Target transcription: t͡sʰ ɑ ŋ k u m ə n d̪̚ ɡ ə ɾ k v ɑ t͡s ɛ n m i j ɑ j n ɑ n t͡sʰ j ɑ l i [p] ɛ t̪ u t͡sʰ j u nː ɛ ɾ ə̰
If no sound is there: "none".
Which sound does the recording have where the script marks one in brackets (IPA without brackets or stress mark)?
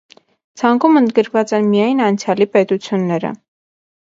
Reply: p